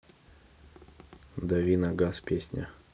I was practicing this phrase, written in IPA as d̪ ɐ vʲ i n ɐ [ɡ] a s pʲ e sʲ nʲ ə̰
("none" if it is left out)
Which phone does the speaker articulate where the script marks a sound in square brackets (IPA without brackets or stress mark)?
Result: ɡ